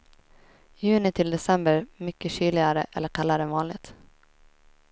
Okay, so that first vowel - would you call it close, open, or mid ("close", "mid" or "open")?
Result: close